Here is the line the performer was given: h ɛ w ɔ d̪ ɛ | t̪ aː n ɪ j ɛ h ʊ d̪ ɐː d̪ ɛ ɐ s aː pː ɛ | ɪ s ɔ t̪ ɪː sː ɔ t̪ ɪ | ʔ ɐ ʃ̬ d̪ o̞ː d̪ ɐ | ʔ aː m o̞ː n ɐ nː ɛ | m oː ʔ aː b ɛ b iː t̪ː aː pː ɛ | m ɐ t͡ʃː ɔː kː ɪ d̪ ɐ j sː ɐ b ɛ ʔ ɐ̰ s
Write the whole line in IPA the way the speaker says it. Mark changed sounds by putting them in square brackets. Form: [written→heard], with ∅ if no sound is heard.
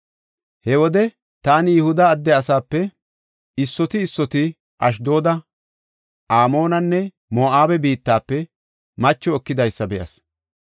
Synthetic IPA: h ɛ w ɔ d̪ ɛ | t̪ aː n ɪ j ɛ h ʊ d̪ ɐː [d̪→d̪ː] ɛ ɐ s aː pː ɛ | ɪ [s→sː] ɔ t̪ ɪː sː ɔ t̪ ɪ | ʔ ɐ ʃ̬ d̪ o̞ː d̪ ɐ | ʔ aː m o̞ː n ɐ nː ɛ | m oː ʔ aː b ɛ b iː t̪ː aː pː ɛ | m ɐ t͡ʃː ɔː kː ɪ d̪ ɐ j sː ɐ b ɛ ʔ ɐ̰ s